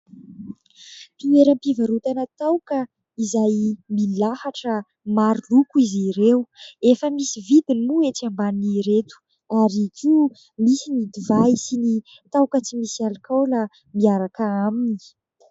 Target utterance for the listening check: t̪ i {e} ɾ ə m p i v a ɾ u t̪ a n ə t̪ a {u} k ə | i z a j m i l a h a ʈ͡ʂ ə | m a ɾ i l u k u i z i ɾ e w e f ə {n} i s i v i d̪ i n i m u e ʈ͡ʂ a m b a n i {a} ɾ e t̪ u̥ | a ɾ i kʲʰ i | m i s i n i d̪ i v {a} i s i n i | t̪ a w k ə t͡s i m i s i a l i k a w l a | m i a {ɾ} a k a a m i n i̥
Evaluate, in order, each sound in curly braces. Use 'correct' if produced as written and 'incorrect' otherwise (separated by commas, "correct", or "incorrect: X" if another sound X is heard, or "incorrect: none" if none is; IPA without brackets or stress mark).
correct, incorrect: w, incorrect: m, incorrect: i, correct, correct